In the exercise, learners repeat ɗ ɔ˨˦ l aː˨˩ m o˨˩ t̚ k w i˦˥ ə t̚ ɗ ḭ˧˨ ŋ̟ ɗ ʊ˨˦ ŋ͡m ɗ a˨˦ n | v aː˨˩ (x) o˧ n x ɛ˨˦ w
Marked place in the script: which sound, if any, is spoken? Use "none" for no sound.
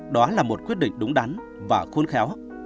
x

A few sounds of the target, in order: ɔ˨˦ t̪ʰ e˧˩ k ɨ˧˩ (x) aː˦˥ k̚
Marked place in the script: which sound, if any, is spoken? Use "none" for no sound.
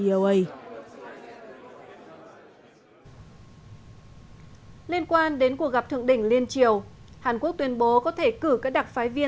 k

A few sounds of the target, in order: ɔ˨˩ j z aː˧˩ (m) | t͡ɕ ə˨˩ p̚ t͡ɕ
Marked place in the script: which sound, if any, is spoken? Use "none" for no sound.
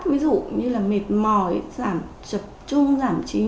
m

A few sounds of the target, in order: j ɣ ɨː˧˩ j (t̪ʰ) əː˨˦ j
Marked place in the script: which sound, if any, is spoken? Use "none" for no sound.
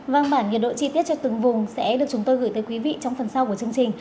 t̪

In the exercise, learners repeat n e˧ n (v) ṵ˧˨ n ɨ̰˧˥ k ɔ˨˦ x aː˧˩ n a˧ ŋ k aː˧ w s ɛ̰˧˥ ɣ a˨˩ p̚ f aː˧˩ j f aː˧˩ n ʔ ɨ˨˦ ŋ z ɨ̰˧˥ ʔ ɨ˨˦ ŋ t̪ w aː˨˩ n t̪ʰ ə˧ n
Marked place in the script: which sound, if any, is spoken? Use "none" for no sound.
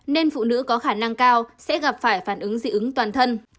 f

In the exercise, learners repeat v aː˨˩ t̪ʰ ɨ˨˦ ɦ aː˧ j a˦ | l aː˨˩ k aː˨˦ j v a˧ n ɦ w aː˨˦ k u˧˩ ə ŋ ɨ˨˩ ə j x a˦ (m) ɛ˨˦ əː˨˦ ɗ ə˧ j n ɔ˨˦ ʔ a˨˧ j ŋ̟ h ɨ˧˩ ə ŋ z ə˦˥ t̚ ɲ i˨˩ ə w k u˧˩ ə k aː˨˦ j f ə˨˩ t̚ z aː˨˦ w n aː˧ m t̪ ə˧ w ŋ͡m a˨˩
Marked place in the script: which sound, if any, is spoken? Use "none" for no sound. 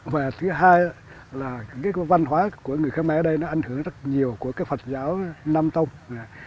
m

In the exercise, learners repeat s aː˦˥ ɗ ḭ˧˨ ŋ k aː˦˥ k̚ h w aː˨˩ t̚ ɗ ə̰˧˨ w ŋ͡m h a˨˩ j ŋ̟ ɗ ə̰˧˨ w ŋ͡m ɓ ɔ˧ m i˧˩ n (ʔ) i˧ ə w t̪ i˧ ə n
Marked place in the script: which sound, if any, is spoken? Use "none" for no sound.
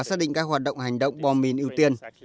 ʔ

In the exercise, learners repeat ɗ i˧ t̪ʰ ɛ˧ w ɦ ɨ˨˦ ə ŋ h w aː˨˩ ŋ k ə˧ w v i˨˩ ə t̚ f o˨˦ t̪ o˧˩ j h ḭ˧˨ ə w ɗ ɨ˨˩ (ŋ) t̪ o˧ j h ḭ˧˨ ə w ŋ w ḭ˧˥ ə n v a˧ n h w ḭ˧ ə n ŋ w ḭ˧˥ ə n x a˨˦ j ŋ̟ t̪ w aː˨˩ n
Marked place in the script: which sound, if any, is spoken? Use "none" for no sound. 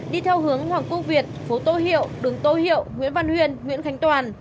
ŋ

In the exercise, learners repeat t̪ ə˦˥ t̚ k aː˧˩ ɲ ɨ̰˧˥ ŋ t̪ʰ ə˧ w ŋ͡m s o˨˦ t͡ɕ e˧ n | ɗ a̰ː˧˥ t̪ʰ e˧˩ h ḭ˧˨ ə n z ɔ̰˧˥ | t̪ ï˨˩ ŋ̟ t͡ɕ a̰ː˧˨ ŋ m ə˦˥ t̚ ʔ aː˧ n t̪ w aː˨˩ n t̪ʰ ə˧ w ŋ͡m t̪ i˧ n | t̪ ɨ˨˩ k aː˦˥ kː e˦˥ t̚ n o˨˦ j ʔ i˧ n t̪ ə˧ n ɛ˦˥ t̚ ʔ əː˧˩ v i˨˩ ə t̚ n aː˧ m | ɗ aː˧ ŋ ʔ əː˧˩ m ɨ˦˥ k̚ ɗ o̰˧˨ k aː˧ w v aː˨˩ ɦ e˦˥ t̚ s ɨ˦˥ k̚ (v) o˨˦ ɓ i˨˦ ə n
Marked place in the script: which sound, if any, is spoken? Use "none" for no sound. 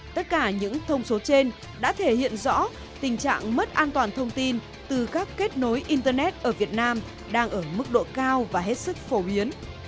f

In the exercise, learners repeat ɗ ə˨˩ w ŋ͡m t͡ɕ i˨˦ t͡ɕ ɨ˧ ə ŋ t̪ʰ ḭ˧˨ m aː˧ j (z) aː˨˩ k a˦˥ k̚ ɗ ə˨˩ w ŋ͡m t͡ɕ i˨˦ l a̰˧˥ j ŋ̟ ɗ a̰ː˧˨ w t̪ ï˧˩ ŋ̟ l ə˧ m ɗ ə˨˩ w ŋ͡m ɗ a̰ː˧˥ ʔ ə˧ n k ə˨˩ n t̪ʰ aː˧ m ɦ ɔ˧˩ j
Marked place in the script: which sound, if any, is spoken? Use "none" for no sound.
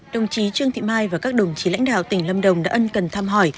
v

